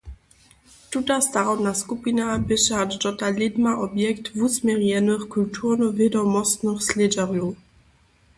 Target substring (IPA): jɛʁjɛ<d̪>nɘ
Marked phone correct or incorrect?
incorrect